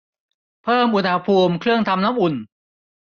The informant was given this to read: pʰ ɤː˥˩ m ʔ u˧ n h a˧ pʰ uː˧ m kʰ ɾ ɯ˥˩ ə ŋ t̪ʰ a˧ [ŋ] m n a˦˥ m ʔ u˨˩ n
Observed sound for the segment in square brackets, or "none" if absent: none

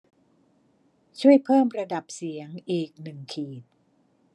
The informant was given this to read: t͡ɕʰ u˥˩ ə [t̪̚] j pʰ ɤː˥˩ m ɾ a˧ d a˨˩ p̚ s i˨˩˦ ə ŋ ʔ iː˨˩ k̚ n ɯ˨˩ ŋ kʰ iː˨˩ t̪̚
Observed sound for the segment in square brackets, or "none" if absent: none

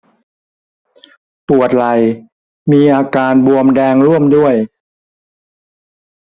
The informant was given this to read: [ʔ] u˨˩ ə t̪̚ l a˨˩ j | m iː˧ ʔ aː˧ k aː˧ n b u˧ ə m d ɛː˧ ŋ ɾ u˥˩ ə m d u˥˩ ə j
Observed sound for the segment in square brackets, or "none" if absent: p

